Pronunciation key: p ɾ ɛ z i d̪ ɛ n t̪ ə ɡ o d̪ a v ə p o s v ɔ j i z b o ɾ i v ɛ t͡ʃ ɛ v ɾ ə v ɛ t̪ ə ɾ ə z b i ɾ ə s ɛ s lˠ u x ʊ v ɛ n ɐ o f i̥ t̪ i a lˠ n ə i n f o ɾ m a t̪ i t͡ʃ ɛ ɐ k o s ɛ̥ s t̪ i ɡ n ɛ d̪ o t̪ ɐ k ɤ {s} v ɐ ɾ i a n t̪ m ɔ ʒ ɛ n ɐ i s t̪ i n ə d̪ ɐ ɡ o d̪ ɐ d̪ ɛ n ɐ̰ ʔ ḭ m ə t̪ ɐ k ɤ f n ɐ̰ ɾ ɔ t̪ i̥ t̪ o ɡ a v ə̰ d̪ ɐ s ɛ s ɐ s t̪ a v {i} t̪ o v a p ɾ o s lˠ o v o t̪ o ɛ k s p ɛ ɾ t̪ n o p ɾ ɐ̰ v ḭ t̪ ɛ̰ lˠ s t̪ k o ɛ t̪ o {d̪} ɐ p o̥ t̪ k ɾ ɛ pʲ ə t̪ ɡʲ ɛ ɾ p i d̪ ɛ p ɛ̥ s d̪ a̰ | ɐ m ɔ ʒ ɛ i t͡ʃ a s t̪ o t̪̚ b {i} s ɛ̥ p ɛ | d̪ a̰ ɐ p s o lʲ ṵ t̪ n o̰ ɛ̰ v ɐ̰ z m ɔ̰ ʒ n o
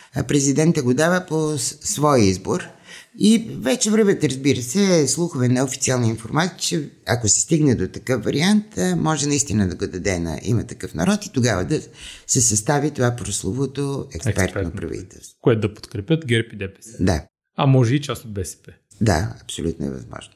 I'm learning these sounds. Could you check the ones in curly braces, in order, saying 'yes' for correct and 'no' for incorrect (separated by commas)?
no, yes, yes, no